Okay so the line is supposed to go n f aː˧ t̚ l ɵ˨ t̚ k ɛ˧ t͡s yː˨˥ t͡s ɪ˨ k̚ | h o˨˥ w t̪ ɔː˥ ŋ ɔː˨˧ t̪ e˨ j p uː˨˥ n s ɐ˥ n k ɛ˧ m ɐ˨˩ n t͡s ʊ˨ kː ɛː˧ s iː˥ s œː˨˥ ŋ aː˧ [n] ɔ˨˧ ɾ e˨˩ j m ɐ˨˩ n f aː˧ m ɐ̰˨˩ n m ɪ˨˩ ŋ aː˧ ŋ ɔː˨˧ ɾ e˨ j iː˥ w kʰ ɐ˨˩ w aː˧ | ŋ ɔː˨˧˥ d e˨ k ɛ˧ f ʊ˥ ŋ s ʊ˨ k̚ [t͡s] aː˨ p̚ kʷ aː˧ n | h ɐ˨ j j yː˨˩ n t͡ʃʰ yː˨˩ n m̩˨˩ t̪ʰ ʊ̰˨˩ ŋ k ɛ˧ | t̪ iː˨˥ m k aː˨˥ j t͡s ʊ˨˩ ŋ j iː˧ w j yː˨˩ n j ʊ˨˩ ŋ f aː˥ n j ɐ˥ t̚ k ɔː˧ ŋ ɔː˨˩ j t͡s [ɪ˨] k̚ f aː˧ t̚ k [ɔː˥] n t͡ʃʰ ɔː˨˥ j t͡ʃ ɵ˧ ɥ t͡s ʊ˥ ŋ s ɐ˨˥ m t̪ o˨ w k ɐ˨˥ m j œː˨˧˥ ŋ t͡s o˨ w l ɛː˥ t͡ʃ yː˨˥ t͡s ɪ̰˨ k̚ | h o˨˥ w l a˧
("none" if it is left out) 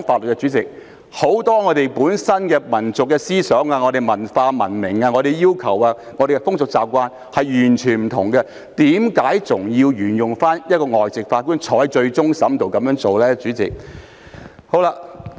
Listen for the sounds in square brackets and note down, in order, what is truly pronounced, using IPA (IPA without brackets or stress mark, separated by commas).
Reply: ŋ, t͡s, ɪ˨, uː˥